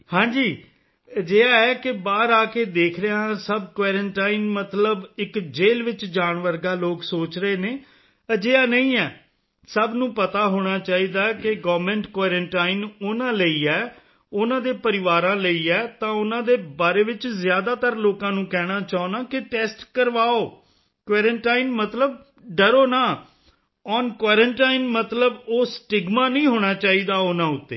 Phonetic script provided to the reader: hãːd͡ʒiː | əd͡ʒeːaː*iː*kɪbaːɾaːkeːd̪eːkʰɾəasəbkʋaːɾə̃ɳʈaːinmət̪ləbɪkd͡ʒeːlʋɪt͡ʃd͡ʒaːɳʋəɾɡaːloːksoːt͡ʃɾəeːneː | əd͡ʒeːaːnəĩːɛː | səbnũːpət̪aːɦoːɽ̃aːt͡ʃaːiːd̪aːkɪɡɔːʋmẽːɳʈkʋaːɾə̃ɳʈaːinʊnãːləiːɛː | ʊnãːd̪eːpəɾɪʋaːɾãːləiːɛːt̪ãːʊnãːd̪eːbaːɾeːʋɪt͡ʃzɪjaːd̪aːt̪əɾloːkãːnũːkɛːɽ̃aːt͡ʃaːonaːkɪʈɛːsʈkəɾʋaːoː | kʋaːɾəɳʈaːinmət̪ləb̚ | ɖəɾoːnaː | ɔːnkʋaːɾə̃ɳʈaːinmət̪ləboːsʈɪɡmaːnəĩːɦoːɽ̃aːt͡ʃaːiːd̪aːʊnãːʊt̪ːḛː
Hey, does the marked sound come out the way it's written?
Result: no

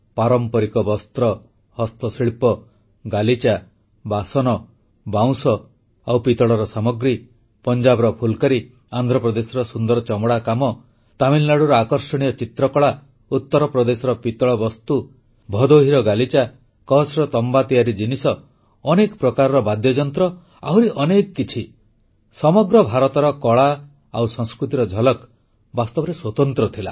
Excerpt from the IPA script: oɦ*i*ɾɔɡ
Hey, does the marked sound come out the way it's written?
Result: yes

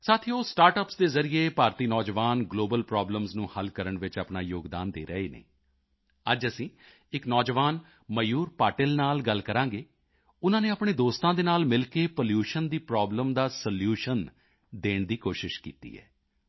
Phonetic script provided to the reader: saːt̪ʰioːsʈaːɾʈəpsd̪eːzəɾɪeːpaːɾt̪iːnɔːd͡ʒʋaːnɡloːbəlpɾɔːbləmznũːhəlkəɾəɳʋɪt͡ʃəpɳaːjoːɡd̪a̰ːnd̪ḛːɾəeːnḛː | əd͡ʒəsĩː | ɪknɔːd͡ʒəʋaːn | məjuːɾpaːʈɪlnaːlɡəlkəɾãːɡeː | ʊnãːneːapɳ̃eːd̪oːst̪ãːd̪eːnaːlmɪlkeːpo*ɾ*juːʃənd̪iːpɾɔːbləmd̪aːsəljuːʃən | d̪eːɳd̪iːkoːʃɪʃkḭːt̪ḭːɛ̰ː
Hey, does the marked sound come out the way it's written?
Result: no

